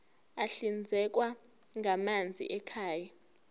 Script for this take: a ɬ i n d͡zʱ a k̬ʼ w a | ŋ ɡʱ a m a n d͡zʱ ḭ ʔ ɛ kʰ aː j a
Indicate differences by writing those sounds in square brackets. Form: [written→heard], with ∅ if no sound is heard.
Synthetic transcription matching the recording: a ɬ i n d͡zʱ [a→ɛ] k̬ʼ w a | ŋ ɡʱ a m a n d͡zʱ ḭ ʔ ɛ kʰ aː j a